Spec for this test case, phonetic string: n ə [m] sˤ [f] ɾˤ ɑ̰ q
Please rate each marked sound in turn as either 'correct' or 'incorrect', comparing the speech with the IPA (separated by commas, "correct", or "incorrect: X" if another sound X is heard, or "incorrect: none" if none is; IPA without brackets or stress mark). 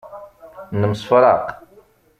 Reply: correct, correct